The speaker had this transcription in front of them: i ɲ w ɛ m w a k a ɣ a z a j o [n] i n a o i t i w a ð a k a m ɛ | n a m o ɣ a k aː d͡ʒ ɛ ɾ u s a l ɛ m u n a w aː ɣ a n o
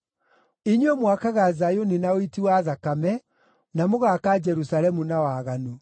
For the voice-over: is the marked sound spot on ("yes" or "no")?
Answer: yes